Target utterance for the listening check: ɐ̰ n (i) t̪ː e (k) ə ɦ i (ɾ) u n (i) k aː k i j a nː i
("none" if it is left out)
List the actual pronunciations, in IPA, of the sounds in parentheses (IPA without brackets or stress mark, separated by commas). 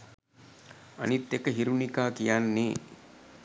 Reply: i, k, ɾ, i